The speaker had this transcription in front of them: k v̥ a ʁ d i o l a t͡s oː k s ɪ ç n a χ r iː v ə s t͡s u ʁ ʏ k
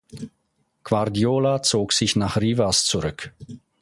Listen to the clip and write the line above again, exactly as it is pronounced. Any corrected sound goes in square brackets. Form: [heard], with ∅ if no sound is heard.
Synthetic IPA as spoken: k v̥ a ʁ d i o l a t͡s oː k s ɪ ç n a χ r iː v [a] s t͡s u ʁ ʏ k